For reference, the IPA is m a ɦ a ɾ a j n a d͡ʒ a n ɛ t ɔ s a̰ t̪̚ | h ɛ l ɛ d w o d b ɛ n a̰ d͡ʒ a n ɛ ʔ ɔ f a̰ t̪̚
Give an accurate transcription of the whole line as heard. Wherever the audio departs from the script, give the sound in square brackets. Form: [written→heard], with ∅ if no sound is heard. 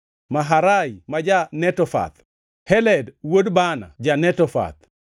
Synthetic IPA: m a ɦ a ɾ a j [n→m] a d͡ʒ a n ɛ t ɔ [s→f] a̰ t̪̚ | h ɛ l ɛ d w o d b [ɛ→a] n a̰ d͡ʒ a n ɛ [ʔ→t] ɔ f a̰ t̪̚